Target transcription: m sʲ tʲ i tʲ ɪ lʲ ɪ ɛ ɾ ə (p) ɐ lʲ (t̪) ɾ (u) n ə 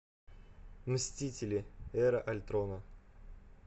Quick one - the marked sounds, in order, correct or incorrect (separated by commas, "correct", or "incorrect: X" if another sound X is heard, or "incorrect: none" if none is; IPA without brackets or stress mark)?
incorrect: ʔ, correct, incorrect: o